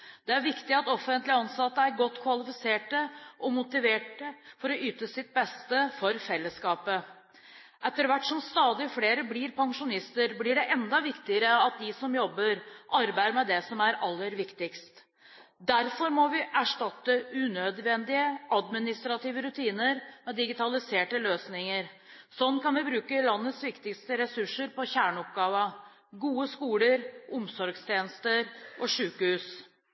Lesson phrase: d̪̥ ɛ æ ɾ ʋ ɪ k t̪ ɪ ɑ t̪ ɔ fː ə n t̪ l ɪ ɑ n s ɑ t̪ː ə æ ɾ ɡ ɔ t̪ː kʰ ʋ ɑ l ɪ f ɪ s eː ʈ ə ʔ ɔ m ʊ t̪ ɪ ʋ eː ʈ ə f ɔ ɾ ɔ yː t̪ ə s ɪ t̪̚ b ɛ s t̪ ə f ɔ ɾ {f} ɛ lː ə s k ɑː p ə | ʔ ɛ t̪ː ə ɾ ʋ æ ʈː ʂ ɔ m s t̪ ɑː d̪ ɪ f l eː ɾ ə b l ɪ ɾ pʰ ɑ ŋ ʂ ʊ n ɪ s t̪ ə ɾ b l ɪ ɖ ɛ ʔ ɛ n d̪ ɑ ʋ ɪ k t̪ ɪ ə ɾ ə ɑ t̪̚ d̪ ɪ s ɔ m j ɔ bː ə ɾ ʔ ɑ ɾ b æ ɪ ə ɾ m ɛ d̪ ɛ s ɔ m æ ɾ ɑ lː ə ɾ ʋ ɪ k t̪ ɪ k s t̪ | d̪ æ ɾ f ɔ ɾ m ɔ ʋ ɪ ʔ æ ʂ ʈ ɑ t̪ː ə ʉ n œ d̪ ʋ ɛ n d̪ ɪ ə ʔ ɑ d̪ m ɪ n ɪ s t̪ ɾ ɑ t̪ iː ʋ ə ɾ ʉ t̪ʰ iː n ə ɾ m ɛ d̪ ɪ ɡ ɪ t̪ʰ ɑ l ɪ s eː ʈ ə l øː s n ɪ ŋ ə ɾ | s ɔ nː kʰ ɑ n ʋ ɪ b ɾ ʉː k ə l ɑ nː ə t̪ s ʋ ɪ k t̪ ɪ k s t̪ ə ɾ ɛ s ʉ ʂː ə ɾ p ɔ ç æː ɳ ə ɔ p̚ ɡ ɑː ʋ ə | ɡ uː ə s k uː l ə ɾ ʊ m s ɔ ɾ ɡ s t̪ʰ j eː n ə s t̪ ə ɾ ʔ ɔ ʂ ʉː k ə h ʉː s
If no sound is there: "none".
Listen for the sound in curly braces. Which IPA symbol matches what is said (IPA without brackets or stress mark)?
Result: f